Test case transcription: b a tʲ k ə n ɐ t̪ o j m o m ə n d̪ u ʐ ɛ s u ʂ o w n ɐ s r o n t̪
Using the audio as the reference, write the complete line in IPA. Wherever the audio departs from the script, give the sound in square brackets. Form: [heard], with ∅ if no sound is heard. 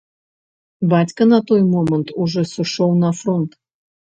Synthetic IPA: b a tʲ k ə n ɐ t̪ o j m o m ə n [t̪] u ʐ ɛ s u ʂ o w n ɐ [f] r o n t̪